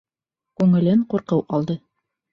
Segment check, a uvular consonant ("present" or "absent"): present